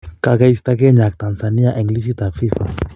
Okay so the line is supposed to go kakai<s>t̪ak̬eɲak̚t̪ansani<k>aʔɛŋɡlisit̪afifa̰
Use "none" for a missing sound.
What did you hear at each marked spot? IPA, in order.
s, none

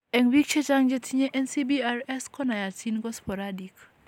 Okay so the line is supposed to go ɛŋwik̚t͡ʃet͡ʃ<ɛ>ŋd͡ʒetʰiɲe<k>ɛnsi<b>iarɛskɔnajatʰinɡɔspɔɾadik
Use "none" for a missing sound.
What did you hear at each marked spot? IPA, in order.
a, ʔ, b

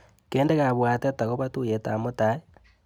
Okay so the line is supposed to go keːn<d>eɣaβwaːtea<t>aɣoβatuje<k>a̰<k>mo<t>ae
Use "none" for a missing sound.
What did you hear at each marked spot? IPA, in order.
d, t, t, none, t

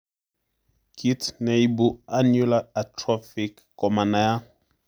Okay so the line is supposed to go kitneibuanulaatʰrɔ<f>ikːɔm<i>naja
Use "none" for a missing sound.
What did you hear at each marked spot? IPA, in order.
f, a

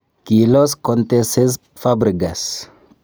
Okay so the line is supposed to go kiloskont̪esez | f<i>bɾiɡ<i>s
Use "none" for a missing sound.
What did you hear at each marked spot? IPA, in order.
a, a

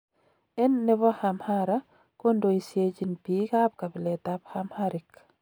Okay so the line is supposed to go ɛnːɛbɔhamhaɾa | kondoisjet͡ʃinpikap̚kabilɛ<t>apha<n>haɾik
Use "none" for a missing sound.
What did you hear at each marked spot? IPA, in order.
t, m

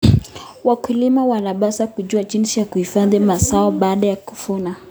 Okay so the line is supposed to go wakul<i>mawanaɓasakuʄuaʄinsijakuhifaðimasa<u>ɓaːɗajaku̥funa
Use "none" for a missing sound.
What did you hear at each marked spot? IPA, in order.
i, ɔ

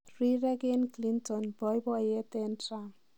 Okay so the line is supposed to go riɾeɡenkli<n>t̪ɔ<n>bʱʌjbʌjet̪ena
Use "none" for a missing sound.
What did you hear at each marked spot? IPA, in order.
n, n

